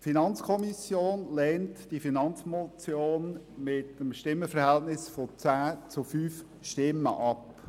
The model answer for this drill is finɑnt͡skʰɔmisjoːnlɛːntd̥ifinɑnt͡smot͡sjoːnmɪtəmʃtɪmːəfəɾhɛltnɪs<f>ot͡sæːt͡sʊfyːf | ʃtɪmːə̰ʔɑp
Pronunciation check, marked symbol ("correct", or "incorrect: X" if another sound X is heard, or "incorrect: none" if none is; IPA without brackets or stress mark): correct